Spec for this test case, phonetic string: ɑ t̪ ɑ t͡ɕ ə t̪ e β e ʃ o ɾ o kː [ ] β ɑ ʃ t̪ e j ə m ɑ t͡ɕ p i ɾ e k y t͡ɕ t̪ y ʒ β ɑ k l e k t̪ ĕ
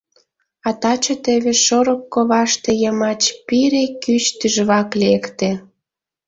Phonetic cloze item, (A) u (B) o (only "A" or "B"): B